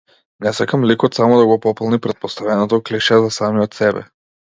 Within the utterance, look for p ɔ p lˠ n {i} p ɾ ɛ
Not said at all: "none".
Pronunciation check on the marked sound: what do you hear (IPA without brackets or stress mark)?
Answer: i